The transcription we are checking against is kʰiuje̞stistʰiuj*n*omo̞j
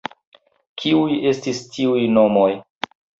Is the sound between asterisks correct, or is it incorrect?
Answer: correct